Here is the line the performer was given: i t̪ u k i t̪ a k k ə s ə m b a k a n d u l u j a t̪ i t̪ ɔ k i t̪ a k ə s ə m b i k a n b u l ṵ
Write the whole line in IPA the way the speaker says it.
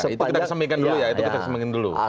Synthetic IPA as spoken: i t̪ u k i t̪ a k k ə s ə m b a k a n d u l u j a i t̪ u k i t̪ a k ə s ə m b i k a n d u l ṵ